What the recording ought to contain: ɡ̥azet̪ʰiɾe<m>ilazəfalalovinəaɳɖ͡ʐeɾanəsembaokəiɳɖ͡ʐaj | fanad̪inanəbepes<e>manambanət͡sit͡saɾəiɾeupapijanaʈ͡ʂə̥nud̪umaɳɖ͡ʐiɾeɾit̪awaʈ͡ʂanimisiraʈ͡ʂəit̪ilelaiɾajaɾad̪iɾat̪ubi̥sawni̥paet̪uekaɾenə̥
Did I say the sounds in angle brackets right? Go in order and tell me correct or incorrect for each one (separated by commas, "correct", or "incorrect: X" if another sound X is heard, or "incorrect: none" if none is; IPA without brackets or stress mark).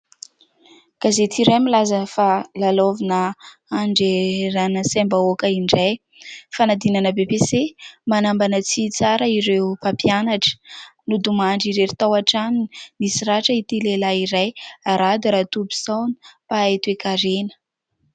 correct, correct